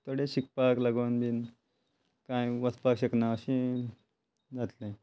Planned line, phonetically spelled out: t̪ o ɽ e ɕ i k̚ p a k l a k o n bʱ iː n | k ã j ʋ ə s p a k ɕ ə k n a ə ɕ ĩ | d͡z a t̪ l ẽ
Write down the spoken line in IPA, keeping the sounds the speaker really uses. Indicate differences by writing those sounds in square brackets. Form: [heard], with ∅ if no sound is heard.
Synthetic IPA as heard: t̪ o ɽ e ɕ i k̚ p a k l a [ɡ] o n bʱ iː n | k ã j ʋ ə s p a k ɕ ə k n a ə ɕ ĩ | d͡z a t̪ l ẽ